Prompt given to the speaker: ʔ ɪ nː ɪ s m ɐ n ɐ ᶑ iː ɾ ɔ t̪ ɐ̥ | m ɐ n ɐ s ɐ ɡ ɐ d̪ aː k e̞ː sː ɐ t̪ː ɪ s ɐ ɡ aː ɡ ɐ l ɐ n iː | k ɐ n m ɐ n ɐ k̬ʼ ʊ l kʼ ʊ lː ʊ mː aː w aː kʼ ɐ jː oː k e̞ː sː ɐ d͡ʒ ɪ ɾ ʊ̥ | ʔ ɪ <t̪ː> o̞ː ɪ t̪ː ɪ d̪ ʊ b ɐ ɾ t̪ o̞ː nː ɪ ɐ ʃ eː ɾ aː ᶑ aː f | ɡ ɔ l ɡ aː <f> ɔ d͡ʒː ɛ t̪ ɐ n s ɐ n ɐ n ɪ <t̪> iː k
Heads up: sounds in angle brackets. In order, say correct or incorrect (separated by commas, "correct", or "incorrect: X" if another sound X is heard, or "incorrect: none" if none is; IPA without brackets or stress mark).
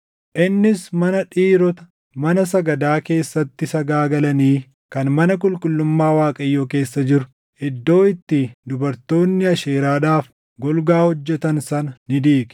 incorrect: d̪ː, incorrect: h, incorrect: d̪